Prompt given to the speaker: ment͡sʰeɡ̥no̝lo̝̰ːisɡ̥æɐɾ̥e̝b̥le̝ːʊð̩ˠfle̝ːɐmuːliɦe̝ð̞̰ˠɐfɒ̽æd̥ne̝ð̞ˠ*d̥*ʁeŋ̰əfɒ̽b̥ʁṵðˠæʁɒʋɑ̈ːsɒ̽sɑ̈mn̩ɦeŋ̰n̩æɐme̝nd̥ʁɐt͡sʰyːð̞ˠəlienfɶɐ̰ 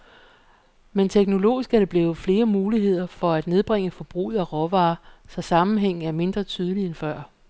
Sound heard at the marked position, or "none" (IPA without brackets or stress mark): b̥